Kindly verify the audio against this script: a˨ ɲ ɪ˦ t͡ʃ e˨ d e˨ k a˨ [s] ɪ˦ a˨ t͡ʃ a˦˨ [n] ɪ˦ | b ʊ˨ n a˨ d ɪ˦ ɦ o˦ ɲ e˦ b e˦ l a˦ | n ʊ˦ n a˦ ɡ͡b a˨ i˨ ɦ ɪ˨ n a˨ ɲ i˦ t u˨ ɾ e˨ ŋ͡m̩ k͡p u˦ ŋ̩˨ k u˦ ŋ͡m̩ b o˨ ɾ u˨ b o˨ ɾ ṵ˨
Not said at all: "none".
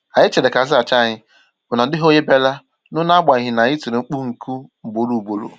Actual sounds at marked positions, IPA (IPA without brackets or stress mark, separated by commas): z, ɲ